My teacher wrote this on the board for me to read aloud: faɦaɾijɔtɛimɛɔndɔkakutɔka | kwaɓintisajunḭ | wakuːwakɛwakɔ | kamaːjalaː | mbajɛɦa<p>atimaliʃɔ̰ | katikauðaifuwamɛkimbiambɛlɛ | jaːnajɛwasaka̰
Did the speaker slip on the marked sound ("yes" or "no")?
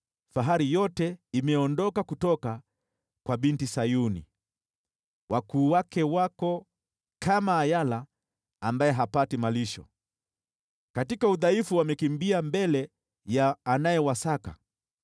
no